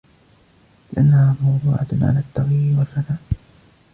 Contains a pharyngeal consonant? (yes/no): yes